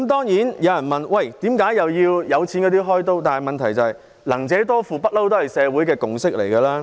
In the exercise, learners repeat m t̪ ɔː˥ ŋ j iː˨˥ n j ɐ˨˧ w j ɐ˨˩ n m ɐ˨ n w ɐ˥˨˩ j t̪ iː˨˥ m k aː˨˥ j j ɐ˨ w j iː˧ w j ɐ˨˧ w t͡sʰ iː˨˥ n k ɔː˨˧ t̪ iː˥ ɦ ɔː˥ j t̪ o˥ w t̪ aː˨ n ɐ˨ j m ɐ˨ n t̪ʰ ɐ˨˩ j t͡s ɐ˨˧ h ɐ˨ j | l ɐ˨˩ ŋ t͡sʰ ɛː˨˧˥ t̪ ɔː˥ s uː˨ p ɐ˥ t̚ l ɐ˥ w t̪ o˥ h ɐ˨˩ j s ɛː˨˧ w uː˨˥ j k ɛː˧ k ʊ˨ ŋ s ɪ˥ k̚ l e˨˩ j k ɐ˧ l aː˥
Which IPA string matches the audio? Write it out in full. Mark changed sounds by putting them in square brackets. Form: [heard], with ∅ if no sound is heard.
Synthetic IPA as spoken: m t̪ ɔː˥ ŋ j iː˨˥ n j ɐ˨˧ w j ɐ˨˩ n m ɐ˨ n w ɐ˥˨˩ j t̪ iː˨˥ m k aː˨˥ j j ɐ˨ w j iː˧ w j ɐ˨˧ w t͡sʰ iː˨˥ n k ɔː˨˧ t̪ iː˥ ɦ ɔː˥ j t̪ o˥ w t̪ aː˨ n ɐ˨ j m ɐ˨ n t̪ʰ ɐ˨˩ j t͡s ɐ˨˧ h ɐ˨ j | l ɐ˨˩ ŋ [t͡s] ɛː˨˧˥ t̪ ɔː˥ [f] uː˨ p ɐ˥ t̚ l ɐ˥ w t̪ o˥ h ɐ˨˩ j s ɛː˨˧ w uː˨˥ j k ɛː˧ k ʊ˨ ŋ s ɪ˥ k̚ l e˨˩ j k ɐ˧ l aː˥